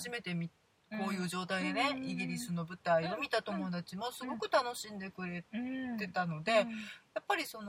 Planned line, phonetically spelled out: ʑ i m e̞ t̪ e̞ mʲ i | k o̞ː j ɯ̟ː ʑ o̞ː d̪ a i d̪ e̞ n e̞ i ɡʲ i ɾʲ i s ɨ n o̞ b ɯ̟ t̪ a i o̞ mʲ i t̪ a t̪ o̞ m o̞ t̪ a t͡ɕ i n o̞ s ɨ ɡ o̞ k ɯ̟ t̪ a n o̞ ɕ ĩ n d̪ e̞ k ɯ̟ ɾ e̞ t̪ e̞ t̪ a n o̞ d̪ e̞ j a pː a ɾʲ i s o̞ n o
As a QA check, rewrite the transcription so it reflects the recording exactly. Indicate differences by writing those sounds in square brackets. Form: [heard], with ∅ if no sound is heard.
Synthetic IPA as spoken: ʑ i m e̞ t̪ e̞ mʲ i | k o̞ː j ɯ̟ː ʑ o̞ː [t̪] a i d̪ e̞ n e̞ i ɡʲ i ɾʲ i s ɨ n o̞ b ɯ̟ t̪ a i o̞ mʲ i t̪ a t̪ o̞ m o̞ [d̪] a t͡ɕ i [m] o̞ s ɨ ɡ o̞ k ɯ̟ t̪ a n o̞ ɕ ĩ n d̪ e̞ k ɯ̟ ɾ e̞ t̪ e̞ t̪ a n o̞ d̪ e̞ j a pː a ɾʲ i s o̞ n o